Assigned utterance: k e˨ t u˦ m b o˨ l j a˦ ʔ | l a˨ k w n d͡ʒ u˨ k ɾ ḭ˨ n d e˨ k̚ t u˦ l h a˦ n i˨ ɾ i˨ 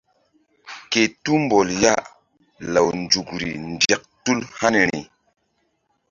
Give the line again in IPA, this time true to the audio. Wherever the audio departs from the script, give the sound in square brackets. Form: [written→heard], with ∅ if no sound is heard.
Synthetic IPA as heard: k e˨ t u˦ m b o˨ l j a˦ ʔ | l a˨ [k→∅] w n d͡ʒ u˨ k ɾ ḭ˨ n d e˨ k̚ t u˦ l h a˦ n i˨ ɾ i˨

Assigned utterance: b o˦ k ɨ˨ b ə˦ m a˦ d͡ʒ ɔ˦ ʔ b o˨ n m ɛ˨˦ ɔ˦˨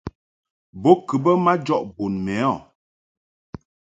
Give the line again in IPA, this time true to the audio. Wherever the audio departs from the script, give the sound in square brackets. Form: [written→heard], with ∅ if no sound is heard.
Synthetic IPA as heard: b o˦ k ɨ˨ b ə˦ m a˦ d͡ʒ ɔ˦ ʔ b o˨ n m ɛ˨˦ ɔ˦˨

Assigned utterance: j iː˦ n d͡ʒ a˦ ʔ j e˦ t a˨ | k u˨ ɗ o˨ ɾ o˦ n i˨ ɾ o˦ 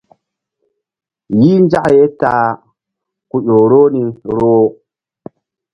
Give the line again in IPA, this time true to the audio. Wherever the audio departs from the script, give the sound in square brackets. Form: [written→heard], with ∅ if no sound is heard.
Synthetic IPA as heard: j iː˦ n d͡ʒ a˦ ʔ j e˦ t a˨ | k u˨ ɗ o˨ ɾ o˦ n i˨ ɾ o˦

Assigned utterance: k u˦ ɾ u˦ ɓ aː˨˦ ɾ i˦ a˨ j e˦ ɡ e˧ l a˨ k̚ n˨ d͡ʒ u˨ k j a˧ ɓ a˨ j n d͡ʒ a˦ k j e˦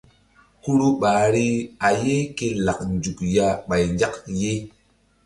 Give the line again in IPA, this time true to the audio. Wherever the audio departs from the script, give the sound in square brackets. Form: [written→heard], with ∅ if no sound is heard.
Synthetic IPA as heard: k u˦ ɾ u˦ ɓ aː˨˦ ɾ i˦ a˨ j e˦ [ɡ→k] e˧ l a˨ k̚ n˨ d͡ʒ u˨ k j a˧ ɓ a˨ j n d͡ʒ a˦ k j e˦

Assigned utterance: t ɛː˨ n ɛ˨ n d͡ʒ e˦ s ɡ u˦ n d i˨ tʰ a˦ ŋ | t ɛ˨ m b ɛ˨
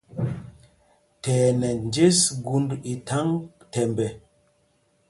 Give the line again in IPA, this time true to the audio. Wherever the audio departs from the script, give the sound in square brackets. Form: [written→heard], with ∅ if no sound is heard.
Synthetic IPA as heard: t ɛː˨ n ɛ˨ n d͡ʒ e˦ s ɡ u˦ n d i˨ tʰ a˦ ŋ | t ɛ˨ m b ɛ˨

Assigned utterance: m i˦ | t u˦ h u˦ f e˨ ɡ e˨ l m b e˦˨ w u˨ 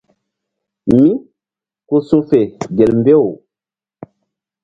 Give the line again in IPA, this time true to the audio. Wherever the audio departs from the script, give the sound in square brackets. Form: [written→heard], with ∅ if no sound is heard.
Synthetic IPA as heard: m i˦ | [t→k] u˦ [h→s] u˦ f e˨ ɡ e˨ l m b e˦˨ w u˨

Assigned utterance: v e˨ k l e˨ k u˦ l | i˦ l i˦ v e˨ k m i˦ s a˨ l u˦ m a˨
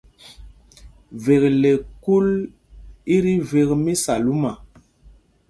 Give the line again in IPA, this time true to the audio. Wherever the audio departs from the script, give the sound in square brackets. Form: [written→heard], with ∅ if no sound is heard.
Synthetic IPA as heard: v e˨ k l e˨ k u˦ l | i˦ [l→ɾ] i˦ v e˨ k m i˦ s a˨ l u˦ m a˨

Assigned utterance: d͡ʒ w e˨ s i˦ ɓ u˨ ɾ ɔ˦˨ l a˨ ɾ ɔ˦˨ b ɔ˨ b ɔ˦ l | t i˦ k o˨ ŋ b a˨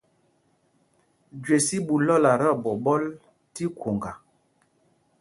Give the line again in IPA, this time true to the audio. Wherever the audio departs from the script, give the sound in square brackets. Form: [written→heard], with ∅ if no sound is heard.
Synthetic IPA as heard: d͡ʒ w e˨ s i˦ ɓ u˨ [ɾ→l] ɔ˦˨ l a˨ ɾ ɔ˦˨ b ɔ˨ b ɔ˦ l | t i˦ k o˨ ŋ [b→ɡ] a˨

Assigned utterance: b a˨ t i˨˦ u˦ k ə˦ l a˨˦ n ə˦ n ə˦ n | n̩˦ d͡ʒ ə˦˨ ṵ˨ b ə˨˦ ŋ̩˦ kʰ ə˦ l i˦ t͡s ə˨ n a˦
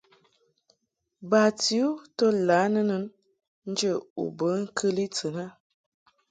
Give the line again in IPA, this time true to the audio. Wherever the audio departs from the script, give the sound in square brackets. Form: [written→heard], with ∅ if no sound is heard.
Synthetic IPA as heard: b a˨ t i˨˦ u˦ [k→t] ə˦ l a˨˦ n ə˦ n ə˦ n | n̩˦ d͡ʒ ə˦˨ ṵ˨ b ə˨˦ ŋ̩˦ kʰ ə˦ l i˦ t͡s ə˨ n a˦

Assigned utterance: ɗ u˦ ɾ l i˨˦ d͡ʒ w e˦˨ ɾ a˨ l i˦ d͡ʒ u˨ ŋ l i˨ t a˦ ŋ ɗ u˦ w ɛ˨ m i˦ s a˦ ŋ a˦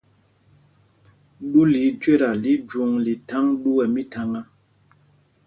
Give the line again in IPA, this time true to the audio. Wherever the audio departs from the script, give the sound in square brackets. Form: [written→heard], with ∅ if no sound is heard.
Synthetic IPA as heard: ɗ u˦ [ɾ→∅] l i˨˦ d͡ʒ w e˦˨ ɾ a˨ l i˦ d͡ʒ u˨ ŋ l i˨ t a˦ ŋ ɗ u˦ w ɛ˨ m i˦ [s→t] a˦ ŋ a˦

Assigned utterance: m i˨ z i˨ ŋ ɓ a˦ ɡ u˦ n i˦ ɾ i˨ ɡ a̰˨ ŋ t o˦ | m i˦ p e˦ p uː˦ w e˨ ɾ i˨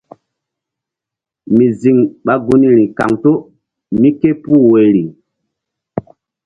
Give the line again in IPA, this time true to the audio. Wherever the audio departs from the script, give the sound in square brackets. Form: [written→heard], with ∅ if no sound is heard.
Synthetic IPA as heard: m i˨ z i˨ ŋ ɓ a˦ ɡ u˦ n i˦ ɾ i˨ [ɡ→k] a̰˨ ŋ t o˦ | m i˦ [p→k] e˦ p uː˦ w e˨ ɾ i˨

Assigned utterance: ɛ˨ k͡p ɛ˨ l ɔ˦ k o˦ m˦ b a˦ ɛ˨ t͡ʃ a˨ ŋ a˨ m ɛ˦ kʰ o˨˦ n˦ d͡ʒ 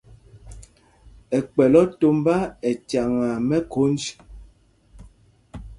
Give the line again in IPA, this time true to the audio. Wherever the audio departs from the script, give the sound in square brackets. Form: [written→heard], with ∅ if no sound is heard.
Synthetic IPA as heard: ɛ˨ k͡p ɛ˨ l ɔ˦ [k→t] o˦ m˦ b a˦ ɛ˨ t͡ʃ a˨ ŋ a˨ m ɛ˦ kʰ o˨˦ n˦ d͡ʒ

